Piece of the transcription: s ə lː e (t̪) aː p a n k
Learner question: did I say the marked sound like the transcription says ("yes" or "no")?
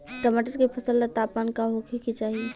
yes